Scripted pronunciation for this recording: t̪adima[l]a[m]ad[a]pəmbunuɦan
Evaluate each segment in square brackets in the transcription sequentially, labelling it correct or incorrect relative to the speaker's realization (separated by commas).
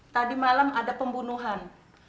correct, correct, correct